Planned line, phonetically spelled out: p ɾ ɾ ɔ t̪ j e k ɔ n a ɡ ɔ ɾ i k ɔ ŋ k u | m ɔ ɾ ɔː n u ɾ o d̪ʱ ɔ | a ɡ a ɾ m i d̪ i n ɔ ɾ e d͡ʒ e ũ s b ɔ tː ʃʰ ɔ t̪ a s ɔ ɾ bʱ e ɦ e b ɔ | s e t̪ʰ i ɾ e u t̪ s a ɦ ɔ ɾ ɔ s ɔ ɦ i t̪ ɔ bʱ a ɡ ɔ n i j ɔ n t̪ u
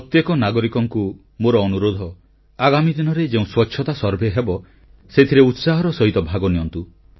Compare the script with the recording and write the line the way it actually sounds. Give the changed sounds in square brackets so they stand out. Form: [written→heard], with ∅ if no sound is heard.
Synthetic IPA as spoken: p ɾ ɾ ɔ t̪ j e k ɔ n a ɡ ɔ ɾ i k ɔ ŋ k u | m [ɔ→o] ɾ ɔː n u ɾ o d̪ʱ ɔ | a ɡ a [ɾ→∅] m i d̪ i n ɔ ɾ e d͡ʒ e ũ s [b→w] ɔ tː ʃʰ ɔ t̪ a s ɔ ɾ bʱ e ɦ e b ɔ | s e t̪ʰ i ɾ e u t̪ s a ɦ ɔ ɾ ɔ s ɔ ɦ i t̪ ɔ bʱ a ɡ ɔ n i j ɔ n t̪ u